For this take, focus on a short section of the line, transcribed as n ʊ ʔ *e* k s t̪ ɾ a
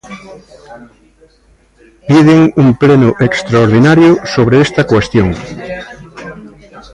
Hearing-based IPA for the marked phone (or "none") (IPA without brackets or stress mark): e